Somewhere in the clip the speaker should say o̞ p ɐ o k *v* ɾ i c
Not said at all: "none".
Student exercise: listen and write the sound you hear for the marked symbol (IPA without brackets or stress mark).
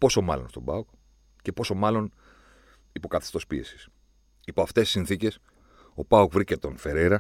v